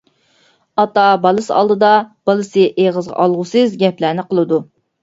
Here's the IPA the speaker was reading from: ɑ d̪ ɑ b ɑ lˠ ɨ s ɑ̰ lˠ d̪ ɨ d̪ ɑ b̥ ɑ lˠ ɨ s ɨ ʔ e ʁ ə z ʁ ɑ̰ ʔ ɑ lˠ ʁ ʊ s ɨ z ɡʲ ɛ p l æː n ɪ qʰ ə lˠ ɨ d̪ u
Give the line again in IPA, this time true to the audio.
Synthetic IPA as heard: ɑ t̪ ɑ b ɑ lˠ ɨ s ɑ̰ lˠ d̪ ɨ d̪ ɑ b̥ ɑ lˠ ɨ s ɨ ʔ e ʁ ə z ʁ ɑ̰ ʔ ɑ lˠ ʁ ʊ s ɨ z ɡʲ ɛ p l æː n ɪ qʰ ə lˠ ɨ d̪ u

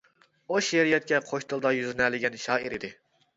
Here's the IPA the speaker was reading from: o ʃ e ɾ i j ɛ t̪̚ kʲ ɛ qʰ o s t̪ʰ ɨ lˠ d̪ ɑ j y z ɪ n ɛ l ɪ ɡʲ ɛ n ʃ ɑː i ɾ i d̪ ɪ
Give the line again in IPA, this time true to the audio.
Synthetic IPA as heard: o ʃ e ɾ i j ɛ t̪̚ kʲ ɛ qʰ o ʃ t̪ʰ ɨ lˠ d̪ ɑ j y z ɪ n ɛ l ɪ ɡʲ ɛ n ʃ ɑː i ɾ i d̪ ɪ

